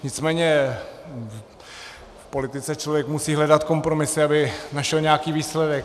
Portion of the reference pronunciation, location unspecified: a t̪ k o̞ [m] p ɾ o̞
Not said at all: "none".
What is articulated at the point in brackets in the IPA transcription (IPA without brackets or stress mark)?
m